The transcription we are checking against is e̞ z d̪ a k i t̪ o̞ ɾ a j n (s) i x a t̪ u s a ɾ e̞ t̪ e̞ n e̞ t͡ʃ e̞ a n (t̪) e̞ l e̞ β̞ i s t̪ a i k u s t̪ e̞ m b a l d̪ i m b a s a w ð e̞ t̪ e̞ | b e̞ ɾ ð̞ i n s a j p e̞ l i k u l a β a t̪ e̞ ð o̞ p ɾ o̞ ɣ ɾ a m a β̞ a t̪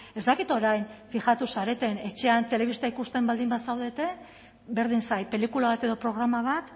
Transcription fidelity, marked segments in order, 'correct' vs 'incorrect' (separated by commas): incorrect, correct